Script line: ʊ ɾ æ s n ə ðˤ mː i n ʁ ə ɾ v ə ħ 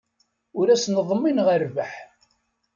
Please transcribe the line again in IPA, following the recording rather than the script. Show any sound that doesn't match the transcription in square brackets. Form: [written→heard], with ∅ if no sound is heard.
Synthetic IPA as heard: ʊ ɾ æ s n ə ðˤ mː i n ʁ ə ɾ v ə ħ